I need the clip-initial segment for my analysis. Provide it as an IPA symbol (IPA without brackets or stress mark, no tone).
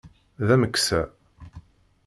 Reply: ð